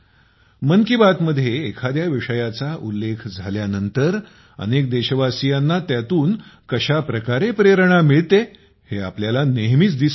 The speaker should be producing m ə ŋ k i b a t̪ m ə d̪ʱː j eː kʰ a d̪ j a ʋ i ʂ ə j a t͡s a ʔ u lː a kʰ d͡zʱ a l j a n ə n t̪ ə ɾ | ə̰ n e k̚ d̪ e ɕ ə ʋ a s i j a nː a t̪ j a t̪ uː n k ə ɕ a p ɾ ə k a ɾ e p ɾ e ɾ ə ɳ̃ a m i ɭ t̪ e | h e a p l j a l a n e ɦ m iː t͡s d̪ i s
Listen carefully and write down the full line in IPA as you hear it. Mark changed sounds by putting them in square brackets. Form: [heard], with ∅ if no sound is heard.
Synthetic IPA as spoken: m ə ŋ k i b a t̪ m ə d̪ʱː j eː kʰ a d̪ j a ʋ i ʂ ə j a t͡s a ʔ u lː [e] kʰ d͡zʱ a l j a n ə n t̪ ə ɾ | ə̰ n e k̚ d̪ e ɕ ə ʋ a s i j a nː a t̪ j a t̪ uː n k ə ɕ a p ɾ ə k a ɾ e p ɾ e ɾ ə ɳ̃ a m i ɭ t̪ e | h e a p l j a l a n e ɦ m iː t͡s d̪ i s